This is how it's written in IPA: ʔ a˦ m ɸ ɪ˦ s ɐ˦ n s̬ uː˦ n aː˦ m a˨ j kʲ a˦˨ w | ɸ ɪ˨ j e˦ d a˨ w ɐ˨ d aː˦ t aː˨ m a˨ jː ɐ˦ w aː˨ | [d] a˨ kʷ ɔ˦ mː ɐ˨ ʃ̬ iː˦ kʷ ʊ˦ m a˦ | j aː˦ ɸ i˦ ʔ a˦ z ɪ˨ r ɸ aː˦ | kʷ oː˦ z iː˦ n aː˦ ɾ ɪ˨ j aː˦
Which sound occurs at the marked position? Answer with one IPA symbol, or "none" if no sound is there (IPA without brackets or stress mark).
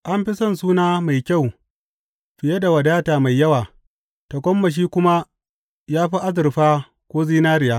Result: t